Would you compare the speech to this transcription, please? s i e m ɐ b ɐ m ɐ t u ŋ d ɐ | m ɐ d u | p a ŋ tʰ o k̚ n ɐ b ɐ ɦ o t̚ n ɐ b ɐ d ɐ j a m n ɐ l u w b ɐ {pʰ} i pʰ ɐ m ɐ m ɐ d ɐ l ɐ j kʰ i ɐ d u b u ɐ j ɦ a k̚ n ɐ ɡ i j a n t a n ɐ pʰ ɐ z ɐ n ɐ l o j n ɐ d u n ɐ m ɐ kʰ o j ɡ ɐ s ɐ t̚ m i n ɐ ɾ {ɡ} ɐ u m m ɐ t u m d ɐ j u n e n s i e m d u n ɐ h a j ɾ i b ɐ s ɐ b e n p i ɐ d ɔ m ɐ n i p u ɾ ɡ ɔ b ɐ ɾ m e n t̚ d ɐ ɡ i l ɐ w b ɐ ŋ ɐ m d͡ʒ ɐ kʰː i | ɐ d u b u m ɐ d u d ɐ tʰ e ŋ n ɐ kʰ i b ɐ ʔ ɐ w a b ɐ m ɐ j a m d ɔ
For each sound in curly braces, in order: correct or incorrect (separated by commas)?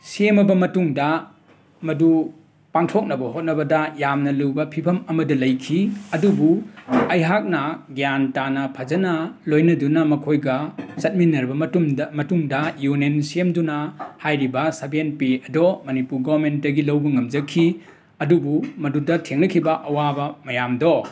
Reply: correct, incorrect